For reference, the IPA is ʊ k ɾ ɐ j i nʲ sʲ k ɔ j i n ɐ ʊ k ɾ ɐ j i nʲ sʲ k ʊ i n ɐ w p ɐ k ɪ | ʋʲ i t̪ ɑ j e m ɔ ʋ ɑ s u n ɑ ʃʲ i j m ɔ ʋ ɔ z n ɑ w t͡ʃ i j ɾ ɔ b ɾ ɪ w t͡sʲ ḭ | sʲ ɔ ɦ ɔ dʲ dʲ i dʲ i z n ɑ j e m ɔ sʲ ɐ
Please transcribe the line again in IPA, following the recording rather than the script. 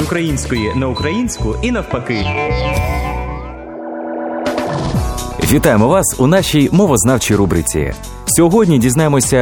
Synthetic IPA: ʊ k ɾ ɐ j i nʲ sʲ k ɔ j i n ɐ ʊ k ɾ ɐ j i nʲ sʲ k ʊ i n ɐ w p ɐ k ɪ | ʋʲ i t̪ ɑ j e m ɔ ʋ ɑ s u n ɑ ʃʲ i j m ɔ ʋ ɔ z n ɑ w t͡ʃ i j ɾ u b ɾ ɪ t͡sʲ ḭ | sʲ ɔ ɦ ɔ dʲ nʲ i dʲ i z n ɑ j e m ɔ sʲ ɐ